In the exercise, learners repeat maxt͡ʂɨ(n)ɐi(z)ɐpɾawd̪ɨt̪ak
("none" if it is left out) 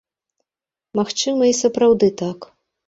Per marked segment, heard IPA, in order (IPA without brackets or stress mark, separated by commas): m, s